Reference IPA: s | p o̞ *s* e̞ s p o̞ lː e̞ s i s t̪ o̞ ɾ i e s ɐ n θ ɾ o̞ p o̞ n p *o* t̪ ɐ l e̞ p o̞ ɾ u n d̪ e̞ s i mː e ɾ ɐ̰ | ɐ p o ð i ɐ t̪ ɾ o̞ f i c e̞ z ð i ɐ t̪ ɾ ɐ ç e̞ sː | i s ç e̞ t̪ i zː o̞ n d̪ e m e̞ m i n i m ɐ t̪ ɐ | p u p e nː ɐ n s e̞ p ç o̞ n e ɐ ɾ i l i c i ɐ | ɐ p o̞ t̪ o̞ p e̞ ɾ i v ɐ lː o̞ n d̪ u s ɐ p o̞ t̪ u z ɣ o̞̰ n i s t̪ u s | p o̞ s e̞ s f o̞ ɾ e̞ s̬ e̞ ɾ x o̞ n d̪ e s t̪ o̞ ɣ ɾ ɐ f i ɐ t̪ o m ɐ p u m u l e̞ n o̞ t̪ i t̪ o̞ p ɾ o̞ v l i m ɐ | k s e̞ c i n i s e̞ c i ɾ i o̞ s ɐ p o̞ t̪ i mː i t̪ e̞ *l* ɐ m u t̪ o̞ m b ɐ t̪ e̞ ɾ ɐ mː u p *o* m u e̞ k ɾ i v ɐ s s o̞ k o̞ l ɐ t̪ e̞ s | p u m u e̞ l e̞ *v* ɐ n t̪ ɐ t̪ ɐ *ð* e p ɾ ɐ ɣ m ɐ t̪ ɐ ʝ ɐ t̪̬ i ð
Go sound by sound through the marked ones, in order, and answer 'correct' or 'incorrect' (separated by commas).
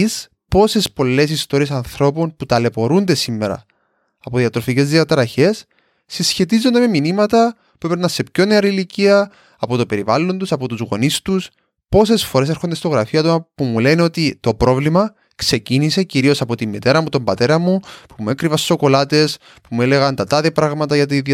correct, incorrect, incorrect, incorrect, incorrect, correct